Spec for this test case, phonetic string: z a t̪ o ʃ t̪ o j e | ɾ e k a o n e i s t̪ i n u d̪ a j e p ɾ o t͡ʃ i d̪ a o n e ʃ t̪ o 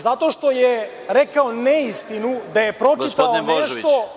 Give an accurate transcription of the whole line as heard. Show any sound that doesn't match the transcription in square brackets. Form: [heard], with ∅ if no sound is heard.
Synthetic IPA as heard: z a t̪ o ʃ t̪ o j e | ɾ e k a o n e i s t̪ i n u d̪ a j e p ɾ o t͡ʃ i [t̪] a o n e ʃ t̪ o